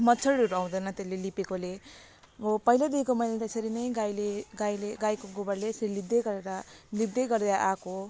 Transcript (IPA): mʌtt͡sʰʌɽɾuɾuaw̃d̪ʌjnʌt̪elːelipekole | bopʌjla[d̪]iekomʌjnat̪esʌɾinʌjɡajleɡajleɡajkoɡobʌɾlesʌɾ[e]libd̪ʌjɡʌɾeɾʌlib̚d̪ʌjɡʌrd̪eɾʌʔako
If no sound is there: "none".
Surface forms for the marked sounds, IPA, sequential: d̪, i

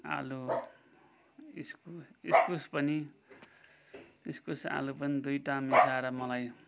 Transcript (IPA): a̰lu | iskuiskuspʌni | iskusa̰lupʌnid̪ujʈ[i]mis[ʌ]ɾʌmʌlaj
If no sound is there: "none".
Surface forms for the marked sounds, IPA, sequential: a, a

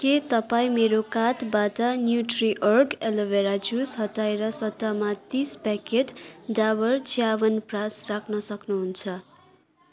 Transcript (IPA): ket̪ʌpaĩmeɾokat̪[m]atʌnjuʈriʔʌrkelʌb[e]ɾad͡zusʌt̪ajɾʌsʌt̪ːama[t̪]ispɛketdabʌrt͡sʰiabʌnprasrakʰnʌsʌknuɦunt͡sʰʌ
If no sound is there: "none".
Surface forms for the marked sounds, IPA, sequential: b, e, t̪

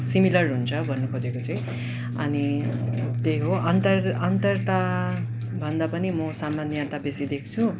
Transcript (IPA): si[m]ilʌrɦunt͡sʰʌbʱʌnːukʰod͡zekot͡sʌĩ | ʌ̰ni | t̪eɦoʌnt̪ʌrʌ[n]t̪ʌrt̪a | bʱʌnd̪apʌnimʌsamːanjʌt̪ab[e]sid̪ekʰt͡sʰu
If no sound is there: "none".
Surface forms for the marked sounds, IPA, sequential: m, n, e

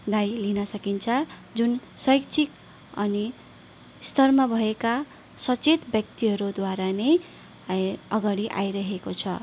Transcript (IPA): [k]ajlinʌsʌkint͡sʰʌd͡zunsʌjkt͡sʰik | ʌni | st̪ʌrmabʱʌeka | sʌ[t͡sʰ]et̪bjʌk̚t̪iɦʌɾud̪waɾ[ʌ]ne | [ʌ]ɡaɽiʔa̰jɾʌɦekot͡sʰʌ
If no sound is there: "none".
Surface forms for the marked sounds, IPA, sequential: ɡ, t͡s, a, ʌ

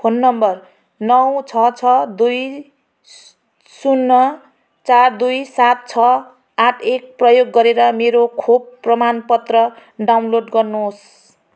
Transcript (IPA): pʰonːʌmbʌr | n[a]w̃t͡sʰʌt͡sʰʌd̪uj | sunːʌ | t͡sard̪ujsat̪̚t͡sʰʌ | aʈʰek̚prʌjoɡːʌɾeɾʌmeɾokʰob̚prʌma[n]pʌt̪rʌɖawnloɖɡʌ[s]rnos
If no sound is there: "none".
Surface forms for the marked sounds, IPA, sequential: ʌ, n, none

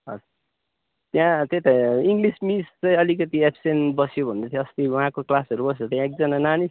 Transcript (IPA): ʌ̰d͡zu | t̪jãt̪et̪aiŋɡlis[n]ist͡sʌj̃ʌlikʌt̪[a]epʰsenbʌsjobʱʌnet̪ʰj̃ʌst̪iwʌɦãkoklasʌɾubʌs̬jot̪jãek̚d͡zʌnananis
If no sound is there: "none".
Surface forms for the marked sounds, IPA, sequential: m, i

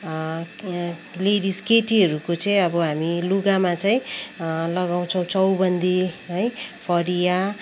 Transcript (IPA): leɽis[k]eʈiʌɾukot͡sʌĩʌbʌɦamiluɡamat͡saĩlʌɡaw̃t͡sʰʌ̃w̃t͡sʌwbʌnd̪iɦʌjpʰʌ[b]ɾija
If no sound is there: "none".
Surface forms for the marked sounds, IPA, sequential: k, none

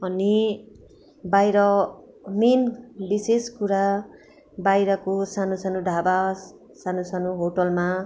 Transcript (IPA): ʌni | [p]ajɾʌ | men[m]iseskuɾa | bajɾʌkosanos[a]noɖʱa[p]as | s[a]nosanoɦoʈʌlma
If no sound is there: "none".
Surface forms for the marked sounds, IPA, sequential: b, b, a, b, a

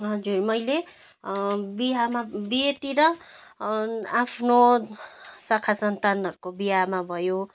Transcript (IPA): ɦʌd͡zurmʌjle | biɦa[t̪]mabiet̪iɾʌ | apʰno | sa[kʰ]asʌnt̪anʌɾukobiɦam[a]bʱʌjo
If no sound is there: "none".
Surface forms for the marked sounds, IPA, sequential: none, kʰ, a

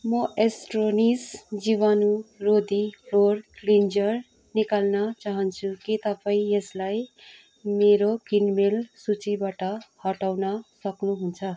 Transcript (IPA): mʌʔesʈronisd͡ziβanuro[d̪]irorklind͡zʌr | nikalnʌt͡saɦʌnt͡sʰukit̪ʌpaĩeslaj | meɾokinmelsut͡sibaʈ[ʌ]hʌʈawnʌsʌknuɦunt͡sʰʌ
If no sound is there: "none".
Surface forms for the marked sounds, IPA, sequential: d̪, ʌ

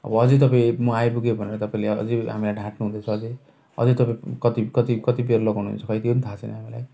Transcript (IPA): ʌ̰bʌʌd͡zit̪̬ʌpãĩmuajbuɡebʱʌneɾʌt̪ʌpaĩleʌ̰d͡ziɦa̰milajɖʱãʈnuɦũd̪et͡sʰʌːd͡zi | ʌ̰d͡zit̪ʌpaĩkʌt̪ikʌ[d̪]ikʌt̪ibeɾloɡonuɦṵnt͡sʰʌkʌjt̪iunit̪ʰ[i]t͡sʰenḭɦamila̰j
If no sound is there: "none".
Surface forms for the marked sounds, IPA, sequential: t̪, a

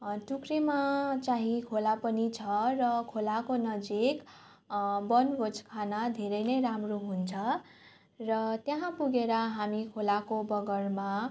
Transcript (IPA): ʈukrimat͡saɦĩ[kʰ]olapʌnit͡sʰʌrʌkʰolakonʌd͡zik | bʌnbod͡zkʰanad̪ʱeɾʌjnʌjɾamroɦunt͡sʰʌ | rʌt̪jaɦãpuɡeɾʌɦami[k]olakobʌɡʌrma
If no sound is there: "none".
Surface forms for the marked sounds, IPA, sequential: kʰ, kʰ

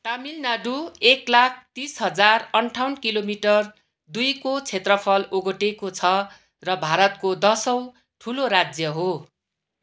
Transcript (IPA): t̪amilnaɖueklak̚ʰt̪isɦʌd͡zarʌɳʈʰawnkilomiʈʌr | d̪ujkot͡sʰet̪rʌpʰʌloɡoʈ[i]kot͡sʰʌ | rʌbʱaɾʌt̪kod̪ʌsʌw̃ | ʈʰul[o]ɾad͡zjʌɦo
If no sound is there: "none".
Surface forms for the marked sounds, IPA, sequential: e, o

